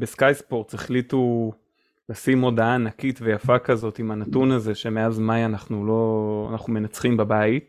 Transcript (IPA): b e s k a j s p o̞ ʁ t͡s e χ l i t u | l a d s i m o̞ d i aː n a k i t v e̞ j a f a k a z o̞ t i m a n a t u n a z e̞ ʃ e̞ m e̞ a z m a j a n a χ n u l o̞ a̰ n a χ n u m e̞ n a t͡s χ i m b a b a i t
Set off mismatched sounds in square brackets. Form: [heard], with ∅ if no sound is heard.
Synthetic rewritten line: b e s k a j s p o̞ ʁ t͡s e χ l i t u | l a [∅] s i m o̞ d [a] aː n a k i t v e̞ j a f a k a z o̞ t i m a n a t u n a z e̞ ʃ e̞ m e̞ a z m a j a n a χ n u l o̞ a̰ n a χ n u m e̞ n a t͡s χ i m b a b a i t